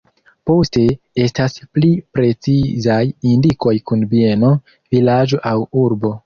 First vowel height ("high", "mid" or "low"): mid